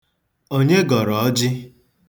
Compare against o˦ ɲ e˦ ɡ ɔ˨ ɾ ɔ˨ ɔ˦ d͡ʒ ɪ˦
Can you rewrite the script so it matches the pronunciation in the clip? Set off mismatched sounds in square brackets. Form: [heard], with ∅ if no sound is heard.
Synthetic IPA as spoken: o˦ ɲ e˦ ɡ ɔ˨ ɾ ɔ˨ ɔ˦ d͡ʒ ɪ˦